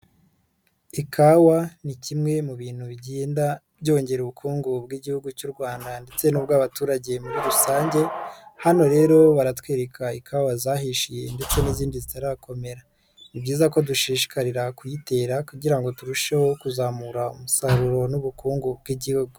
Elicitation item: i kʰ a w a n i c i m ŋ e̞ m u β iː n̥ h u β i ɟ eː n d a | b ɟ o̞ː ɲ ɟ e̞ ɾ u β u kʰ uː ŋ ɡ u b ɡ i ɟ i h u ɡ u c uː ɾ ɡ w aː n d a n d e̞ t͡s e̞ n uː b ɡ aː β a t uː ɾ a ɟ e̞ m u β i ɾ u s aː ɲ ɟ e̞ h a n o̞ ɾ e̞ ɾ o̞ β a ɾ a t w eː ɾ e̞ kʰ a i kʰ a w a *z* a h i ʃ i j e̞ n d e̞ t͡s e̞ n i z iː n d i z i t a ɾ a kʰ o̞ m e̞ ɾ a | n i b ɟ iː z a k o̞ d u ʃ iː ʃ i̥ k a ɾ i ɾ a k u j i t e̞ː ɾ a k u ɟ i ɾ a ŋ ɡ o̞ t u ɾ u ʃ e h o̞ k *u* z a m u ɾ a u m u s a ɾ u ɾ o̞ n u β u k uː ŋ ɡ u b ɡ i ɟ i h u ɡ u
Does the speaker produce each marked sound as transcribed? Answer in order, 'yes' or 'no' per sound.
yes, yes

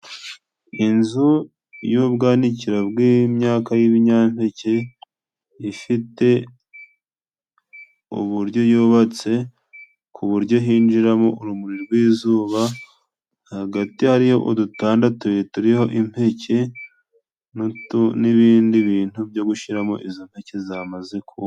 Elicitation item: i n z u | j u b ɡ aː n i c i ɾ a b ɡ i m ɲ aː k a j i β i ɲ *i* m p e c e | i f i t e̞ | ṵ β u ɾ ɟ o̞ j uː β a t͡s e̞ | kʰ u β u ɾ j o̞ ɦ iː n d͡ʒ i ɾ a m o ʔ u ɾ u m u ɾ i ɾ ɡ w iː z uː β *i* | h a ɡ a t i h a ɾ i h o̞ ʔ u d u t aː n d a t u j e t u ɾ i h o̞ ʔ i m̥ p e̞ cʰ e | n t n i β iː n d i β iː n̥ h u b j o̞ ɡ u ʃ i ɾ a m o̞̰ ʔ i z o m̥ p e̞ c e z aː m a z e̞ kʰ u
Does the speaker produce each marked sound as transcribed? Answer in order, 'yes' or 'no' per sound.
no, no

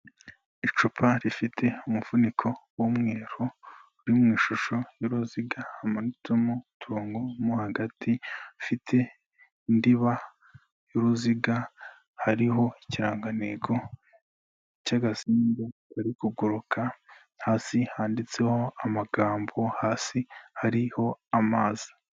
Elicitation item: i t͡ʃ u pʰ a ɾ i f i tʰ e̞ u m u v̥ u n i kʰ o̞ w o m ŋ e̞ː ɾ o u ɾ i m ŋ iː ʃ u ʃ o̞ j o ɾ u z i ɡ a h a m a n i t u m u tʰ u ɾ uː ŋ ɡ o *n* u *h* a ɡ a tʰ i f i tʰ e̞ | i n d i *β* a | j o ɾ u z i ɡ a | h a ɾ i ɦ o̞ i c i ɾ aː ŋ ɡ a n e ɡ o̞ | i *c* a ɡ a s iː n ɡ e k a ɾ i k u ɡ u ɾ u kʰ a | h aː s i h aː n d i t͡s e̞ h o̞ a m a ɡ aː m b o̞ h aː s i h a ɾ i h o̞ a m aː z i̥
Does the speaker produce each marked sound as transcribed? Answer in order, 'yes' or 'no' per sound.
no, yes, yes, yes

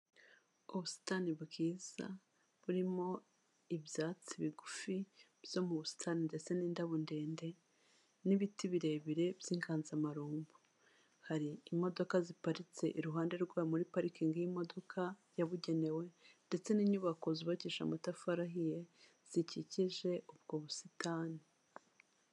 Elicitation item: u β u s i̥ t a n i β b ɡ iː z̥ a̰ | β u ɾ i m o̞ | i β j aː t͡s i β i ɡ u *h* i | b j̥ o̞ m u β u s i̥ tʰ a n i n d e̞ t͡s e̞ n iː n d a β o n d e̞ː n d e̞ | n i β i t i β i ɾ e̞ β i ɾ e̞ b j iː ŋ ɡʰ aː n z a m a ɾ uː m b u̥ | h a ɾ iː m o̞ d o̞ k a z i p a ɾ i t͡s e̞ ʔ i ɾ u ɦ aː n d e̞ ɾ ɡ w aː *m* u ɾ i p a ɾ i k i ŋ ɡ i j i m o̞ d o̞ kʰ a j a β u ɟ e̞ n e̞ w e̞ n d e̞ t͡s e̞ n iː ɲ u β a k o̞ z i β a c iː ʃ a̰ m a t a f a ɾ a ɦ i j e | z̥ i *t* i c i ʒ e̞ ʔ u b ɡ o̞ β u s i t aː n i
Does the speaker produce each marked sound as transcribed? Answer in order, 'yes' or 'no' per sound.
no, yes, no

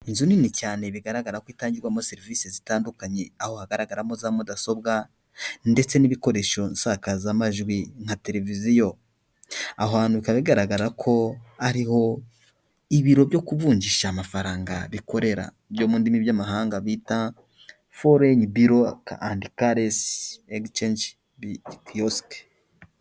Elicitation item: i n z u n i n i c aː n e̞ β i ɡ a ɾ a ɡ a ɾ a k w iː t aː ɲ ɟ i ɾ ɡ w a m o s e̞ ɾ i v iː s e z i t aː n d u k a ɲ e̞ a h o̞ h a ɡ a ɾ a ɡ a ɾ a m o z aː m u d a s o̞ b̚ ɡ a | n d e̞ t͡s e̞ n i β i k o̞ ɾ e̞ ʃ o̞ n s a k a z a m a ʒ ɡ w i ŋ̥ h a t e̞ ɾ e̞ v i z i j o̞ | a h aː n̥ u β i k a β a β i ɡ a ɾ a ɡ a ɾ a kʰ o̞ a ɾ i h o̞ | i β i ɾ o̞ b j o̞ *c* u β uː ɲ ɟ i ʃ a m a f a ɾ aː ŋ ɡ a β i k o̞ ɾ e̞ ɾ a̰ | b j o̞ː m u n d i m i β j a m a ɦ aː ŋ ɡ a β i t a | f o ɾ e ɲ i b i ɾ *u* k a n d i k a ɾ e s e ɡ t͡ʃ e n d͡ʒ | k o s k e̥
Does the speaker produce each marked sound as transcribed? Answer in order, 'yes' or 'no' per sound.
no, no

